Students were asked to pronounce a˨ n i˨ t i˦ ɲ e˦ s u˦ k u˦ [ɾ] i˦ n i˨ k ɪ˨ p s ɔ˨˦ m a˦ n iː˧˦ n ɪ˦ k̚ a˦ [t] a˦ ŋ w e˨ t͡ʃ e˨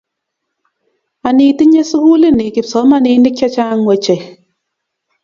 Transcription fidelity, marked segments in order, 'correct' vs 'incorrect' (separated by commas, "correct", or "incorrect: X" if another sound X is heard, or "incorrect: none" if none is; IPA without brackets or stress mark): incorrect: l, incorrect: t͡ʃ